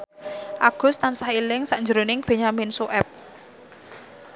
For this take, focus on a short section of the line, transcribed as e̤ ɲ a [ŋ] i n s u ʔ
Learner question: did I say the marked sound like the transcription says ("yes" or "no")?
no